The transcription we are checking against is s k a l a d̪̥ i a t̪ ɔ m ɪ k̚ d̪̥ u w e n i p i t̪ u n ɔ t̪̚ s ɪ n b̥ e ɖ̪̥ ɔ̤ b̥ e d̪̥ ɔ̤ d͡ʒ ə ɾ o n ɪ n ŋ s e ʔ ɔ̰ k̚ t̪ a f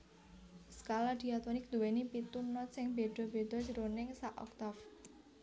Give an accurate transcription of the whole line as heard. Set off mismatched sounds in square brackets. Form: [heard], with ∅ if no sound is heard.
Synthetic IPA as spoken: s k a l a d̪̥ i a t̪ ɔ [n] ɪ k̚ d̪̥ u w e n i p i t̪ u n ɔ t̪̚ s ɪ [ŋ] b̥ e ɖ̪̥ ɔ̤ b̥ e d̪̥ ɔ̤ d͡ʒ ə ɾ o n ɪ [∅] ŋ s [a] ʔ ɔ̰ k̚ t̪ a f